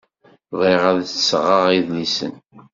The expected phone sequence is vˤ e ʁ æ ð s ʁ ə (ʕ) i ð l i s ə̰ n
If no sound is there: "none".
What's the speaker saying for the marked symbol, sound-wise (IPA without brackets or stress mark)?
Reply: ʁ